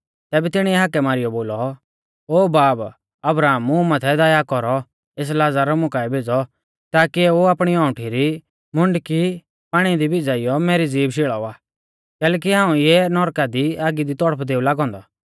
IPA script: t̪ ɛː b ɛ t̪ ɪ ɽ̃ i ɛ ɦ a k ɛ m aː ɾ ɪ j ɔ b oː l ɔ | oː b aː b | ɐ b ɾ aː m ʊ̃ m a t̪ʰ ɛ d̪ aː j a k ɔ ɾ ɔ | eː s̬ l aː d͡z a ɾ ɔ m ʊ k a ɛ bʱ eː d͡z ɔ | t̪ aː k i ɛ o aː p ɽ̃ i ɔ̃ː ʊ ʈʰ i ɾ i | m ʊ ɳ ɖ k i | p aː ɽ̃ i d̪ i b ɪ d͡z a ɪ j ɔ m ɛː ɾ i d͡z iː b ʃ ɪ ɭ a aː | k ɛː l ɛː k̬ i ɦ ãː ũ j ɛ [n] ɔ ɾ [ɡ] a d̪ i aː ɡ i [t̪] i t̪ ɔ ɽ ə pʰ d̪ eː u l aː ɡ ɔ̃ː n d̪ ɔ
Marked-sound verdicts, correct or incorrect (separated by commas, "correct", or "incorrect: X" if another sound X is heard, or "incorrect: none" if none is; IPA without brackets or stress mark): correct, incorrect: k, incorrect: d̪